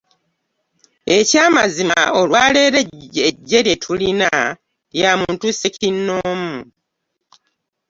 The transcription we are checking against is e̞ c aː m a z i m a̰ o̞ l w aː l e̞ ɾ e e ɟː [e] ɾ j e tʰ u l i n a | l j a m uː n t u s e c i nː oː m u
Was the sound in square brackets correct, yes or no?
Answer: yes